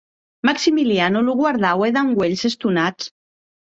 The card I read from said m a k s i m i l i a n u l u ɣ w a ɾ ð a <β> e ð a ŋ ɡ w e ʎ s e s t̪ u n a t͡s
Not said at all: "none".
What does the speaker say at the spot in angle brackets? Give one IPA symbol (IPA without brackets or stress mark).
w